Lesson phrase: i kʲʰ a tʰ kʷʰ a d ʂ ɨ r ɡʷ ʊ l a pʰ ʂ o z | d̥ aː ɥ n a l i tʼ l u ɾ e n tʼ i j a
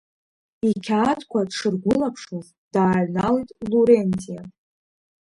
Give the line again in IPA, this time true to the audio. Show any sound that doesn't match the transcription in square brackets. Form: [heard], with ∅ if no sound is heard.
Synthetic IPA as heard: i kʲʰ a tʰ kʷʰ a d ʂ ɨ r ɡʷ ʊ l a pʰ ʂ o z | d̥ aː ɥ n a l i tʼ l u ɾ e n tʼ i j a